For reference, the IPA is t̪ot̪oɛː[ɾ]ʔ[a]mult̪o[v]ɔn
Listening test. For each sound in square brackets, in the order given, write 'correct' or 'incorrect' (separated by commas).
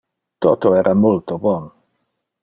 correct, correct, incorrect